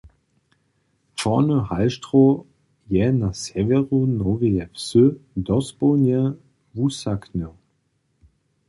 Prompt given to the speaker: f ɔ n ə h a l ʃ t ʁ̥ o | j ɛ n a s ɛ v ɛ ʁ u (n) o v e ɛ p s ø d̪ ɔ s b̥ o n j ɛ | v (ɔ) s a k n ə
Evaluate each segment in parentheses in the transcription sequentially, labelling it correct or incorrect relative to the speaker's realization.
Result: correct, incorrect

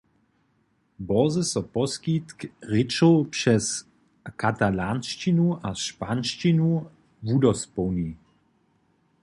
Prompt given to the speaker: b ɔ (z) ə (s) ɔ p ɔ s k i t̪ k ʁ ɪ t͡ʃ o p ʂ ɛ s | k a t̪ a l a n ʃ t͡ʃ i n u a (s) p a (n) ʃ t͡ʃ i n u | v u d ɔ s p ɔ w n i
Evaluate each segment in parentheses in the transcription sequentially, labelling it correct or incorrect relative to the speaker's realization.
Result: correct, correct, incorrect, correct

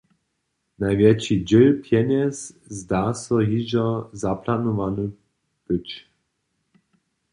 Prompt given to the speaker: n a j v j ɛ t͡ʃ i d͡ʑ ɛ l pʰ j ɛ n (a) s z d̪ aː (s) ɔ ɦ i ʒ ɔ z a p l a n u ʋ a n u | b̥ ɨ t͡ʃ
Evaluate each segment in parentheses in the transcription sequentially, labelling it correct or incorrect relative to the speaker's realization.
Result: incorrect, correct

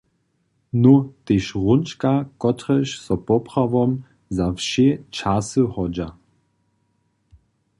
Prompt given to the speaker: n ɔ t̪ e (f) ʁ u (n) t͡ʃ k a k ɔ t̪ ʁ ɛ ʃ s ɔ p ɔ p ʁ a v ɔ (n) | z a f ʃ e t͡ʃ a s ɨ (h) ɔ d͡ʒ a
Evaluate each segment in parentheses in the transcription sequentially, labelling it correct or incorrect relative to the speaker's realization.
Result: incorrect, correct, incorrect, correct

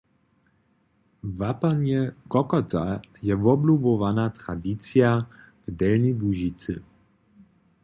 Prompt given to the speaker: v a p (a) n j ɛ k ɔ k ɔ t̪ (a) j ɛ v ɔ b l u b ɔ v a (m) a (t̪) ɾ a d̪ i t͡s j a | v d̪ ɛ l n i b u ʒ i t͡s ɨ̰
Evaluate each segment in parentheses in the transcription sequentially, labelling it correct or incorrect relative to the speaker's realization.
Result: correct, correct, incorrect, correct

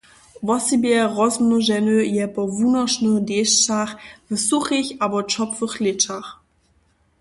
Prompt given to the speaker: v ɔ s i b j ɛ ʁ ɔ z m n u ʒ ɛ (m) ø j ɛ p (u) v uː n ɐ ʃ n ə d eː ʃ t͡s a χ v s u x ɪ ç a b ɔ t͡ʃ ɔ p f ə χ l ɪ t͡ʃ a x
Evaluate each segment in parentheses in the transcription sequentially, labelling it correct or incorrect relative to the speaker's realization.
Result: incorrect, incorrect

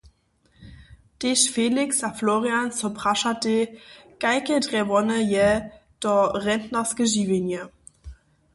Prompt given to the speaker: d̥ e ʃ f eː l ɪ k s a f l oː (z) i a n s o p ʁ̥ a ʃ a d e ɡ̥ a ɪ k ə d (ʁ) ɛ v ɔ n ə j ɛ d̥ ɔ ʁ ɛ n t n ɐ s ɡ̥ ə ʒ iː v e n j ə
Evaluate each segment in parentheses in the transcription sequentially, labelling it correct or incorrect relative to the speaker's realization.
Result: incorrect, correct

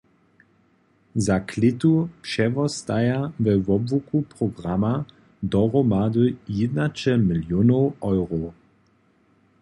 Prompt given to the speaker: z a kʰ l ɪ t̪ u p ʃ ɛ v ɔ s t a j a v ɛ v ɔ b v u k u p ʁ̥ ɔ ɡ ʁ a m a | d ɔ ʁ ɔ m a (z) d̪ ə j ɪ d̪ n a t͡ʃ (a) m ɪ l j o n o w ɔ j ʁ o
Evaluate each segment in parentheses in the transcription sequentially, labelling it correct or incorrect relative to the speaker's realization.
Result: incorrect, incorrect

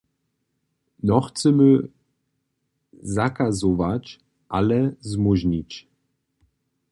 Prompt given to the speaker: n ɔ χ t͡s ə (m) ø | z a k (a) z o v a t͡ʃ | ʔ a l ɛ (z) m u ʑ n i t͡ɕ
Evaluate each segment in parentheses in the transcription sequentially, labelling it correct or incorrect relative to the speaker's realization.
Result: correct, correct, correct

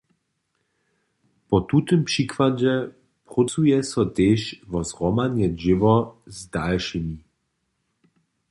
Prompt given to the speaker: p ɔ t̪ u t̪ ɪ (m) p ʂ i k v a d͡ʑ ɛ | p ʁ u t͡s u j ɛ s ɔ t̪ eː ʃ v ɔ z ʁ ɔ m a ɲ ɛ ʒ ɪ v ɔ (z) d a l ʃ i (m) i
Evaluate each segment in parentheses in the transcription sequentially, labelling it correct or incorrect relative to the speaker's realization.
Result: correct, correct, correct

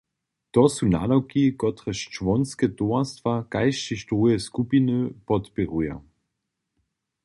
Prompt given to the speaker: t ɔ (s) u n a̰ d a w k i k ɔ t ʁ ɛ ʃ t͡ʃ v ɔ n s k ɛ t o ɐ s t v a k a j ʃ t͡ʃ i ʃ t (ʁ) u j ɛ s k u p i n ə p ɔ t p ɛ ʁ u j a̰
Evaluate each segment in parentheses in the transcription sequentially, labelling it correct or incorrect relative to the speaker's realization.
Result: correct, correct

